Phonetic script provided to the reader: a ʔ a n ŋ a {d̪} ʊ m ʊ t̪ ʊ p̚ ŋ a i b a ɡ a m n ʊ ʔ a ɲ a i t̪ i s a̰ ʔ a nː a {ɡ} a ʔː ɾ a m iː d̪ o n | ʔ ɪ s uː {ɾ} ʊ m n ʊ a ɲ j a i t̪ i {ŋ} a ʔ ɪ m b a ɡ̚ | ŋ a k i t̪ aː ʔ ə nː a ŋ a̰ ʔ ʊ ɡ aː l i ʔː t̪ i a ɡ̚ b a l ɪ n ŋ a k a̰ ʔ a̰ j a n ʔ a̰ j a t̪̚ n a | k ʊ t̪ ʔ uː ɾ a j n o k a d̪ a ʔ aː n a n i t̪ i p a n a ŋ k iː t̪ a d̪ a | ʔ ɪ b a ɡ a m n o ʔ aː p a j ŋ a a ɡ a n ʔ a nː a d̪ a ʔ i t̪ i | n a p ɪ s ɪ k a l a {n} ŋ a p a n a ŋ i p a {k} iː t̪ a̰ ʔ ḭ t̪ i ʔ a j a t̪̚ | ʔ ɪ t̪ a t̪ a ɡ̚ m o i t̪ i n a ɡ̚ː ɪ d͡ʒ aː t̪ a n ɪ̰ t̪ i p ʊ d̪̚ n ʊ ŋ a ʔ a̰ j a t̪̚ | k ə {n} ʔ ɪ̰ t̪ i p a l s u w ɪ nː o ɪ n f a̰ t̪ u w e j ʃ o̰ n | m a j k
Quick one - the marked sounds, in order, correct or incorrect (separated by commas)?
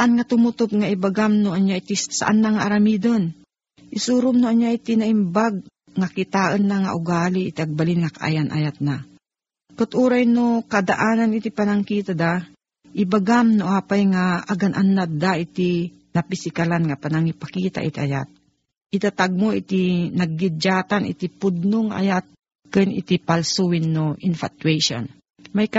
incorrect, incorrect, correct, incorrect, correct, correct, correct